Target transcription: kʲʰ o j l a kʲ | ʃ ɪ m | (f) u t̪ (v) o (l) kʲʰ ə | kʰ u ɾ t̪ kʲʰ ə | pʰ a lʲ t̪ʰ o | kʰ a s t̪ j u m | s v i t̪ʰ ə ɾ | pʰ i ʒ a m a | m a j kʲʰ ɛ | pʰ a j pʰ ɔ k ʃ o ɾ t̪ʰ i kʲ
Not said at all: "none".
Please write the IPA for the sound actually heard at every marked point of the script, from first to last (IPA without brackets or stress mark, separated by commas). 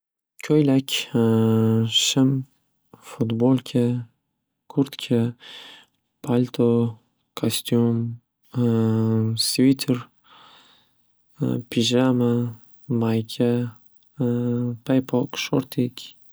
f, b, l